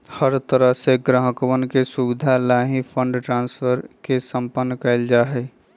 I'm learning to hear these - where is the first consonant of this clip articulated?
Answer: throat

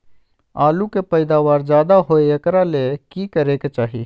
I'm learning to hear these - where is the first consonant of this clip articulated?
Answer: tongue tip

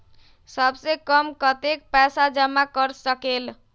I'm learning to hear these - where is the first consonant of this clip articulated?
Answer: tongue tip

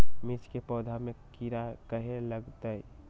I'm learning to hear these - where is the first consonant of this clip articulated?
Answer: lips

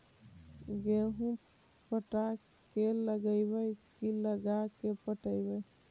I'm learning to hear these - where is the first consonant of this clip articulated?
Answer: velum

